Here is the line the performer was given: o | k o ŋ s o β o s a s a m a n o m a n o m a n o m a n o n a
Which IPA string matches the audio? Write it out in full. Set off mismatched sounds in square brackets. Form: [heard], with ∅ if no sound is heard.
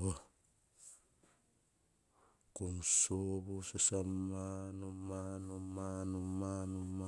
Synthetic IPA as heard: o | k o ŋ s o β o s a s a m a n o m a n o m a n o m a n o [m] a